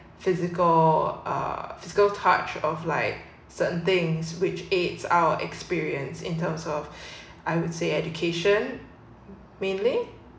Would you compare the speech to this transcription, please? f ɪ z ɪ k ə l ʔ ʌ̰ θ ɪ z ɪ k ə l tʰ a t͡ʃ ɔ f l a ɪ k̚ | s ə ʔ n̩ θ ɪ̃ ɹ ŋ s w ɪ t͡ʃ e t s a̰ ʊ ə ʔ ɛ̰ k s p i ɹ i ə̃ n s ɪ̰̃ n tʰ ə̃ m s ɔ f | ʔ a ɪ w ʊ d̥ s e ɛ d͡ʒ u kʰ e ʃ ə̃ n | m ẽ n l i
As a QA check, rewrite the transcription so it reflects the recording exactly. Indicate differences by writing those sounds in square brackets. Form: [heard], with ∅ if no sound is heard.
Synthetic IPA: f ɪ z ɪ k ə l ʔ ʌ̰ [f] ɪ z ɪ k ə l tʰ a t͡ʃ ɔ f l a ɪ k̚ | s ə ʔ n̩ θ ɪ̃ [∅] ŋ s w ɪ t͡ʃ e t s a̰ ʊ ə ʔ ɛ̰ k s p i ɹ i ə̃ n s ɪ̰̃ n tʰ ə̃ m s ɔ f | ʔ a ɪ w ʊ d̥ s e ɛ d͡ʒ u kʰ e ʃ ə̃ n | m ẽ n l i